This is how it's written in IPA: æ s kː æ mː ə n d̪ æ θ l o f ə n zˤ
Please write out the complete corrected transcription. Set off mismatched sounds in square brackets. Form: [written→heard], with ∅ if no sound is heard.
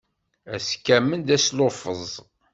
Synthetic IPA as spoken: æ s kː æ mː ə n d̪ æ [θ→s] l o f ə [n→∅] zˤ